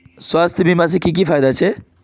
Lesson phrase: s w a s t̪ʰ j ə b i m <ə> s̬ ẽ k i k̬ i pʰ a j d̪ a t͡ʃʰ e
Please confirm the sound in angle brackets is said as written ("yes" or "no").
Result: no